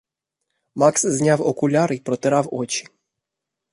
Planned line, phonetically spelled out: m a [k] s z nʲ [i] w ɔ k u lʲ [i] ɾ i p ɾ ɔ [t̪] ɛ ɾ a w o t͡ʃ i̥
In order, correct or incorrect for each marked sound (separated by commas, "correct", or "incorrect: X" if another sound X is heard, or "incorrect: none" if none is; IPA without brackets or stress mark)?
correct, incorrect: a, incorrect: a, correct